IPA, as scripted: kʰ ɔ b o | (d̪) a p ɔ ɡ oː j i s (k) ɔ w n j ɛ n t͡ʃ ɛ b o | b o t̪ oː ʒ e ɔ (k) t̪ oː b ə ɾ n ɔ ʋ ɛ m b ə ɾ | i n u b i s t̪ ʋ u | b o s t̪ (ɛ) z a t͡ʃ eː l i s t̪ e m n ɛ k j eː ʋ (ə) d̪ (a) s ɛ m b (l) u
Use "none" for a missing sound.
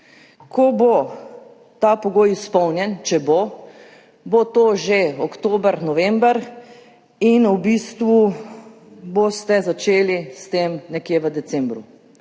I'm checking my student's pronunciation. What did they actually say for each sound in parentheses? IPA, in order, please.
t̪, p, k, ɛ, ə, ɛ, ɾ

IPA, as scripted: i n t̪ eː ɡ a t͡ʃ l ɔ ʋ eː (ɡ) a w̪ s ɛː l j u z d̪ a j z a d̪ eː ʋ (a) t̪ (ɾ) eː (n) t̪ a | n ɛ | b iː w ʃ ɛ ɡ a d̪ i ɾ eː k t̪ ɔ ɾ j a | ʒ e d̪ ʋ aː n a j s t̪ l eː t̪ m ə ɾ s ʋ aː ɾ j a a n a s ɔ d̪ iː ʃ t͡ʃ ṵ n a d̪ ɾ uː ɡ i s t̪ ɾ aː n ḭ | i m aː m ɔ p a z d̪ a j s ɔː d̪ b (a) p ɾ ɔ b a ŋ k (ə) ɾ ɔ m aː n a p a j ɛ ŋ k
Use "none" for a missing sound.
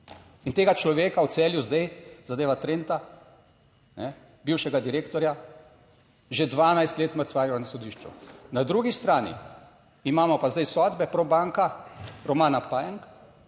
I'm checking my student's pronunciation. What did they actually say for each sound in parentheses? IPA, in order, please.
k, a, ɾ, n, ɛ, a

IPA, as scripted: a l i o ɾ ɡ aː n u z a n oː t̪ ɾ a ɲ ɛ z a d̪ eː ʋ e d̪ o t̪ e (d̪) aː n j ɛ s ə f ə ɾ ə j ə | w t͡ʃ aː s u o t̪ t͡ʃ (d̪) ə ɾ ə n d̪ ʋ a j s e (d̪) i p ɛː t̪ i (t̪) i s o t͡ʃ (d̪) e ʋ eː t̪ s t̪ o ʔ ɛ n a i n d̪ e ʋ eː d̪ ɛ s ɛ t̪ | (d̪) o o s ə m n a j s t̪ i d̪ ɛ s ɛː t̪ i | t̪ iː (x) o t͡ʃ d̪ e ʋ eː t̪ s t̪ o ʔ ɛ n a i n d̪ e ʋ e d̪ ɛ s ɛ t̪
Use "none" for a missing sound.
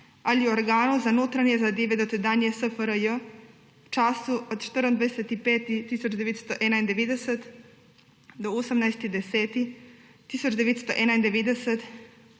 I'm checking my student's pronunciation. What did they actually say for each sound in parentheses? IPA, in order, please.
d̪, t̪, t̪, t̪, d̪, d̪, s

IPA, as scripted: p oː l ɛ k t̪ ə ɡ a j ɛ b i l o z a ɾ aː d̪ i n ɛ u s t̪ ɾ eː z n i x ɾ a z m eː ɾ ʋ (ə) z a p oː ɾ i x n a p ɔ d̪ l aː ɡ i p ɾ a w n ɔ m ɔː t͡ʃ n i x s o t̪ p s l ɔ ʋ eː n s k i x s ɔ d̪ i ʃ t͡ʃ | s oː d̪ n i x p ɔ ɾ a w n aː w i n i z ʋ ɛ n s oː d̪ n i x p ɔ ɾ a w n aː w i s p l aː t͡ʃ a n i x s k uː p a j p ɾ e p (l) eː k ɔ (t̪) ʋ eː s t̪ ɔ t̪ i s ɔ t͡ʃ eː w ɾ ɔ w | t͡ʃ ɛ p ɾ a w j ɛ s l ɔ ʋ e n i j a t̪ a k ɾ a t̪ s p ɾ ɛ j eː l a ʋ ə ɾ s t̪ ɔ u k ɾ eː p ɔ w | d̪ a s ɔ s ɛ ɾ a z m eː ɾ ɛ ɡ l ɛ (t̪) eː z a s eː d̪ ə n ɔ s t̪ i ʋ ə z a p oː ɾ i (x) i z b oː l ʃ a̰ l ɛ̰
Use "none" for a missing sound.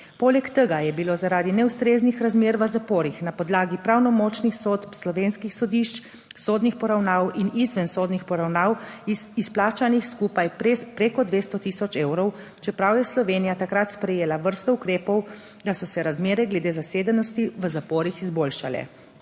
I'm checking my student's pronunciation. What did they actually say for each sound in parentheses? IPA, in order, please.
ə, ɾ, d̪, d̪, x

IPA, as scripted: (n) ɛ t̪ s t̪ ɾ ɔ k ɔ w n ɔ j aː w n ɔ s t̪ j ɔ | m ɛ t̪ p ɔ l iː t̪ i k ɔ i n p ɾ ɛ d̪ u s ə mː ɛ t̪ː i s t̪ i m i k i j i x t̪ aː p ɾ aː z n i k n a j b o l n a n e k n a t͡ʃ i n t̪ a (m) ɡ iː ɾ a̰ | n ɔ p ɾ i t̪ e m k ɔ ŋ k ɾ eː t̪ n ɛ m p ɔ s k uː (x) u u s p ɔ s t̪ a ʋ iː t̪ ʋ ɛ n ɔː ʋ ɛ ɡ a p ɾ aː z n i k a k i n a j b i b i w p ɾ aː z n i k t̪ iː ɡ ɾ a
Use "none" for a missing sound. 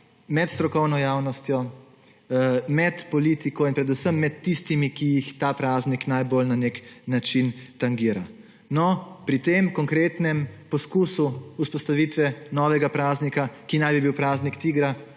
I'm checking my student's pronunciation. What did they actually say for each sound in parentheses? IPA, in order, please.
m, ŋ, s

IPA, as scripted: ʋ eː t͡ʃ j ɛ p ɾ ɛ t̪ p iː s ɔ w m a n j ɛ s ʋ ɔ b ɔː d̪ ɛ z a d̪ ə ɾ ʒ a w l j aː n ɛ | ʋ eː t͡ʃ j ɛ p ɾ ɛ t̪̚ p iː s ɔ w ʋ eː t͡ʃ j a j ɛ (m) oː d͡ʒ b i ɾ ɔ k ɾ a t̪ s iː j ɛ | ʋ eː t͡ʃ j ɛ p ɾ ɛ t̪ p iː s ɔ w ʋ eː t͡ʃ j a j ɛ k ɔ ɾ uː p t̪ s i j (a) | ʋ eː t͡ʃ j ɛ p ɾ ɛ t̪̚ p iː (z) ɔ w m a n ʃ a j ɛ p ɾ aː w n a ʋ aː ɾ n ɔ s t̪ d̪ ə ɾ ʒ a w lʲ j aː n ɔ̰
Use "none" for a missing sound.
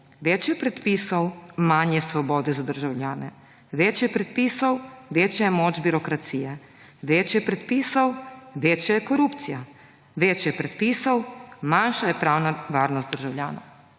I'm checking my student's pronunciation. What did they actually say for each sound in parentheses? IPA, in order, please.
m, a, s

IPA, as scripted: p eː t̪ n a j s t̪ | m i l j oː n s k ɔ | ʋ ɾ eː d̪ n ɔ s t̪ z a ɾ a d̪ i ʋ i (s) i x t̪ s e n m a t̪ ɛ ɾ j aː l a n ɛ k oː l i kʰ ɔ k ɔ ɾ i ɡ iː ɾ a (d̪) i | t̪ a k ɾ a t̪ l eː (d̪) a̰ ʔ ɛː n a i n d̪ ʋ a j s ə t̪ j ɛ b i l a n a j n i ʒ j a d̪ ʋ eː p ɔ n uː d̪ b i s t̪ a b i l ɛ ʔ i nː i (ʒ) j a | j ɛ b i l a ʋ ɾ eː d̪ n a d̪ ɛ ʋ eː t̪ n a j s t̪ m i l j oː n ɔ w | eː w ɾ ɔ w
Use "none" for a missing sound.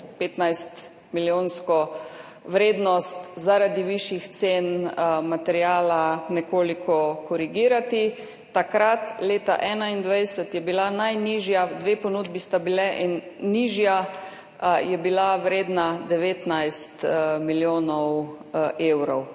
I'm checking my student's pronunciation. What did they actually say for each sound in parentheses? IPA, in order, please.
ʃ, t̪, t̪, ʒ

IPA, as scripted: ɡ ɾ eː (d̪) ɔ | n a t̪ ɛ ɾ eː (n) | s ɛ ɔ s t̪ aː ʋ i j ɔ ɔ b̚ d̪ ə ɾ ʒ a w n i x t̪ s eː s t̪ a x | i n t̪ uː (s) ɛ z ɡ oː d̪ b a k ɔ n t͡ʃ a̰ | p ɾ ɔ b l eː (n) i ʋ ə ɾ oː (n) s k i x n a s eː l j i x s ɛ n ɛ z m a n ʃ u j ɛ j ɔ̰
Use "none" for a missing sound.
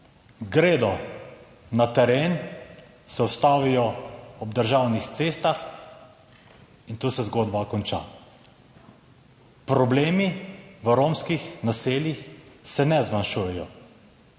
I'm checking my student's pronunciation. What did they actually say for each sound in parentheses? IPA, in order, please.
d̪, n, s, m, m

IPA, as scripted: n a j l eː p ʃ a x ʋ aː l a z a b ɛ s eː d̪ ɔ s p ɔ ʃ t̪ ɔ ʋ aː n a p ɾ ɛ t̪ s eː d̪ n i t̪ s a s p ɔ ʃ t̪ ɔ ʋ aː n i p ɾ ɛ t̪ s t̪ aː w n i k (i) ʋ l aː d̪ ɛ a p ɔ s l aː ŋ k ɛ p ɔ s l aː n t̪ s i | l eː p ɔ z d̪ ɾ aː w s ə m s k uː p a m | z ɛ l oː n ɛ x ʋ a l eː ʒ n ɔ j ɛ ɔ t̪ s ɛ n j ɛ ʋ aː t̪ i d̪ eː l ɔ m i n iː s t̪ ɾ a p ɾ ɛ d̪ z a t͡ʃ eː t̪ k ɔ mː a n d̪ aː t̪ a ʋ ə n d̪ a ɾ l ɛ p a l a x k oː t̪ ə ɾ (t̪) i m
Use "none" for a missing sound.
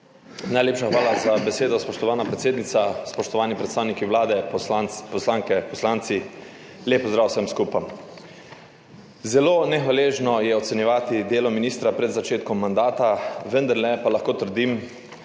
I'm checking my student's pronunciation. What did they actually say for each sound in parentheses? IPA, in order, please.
i, d̪

